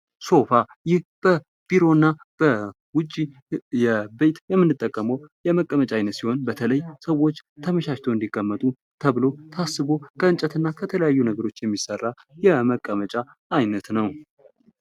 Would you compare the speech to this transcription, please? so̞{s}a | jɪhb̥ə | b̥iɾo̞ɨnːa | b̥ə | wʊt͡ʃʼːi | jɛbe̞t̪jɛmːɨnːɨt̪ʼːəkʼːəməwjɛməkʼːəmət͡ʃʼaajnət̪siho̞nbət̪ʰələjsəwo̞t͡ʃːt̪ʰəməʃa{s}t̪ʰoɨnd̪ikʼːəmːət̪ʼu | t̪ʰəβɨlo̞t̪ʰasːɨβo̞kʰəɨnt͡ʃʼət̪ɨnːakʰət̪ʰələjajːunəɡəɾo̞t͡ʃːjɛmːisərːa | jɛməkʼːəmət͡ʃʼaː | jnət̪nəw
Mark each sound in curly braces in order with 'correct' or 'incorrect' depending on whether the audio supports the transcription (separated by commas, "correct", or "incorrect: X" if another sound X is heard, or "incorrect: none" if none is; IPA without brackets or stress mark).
incorrect: f, incorrect: ʃ